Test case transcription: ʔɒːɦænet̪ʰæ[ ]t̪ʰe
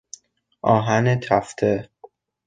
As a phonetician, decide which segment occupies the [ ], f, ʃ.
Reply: f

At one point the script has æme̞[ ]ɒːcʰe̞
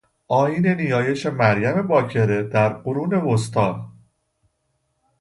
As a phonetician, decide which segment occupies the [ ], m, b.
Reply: b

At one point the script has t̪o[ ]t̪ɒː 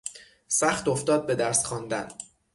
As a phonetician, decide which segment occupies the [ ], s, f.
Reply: f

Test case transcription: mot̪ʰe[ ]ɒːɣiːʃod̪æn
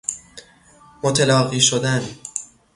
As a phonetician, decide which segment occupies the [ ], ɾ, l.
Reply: l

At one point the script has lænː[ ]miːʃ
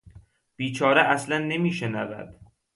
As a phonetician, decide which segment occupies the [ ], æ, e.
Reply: e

